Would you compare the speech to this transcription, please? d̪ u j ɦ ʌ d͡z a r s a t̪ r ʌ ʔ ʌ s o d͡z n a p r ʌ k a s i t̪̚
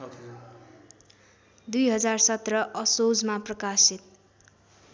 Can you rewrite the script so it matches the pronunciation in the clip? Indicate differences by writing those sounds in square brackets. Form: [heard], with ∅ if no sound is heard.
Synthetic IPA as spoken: d̪ u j ɦ ʌ d͡z a r s [ʌ] t̪ r ʌ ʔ ʌ s o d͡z [m] a p r ʌ k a s i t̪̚